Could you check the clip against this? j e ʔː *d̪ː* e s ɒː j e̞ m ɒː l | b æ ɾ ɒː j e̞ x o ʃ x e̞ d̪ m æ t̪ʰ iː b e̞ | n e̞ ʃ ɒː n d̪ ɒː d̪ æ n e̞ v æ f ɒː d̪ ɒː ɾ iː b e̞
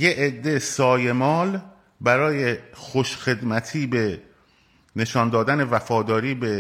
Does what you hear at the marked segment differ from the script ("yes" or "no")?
no